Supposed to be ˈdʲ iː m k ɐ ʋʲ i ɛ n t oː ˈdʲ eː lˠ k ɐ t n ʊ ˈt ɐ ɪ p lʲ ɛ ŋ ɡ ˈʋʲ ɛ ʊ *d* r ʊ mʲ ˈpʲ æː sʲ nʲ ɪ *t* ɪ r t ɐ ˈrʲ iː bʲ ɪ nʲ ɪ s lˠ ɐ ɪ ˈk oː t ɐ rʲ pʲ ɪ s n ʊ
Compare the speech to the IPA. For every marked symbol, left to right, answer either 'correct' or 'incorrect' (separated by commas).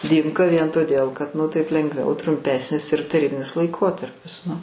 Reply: incorrect, incorrect